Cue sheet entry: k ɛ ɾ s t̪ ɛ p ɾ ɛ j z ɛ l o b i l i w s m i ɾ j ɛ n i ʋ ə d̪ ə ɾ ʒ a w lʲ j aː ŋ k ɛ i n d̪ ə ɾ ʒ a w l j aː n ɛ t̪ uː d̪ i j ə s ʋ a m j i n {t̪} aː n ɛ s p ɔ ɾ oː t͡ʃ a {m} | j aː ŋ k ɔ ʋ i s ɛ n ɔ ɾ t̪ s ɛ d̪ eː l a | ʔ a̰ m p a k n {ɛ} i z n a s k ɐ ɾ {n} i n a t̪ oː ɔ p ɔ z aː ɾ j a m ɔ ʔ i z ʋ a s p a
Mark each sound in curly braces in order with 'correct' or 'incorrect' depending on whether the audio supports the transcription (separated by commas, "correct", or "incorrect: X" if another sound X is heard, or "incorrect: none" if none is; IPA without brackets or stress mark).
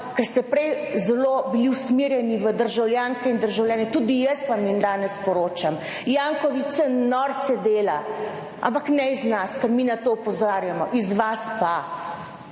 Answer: incorrect: d̪, correct, correct, incorrect: m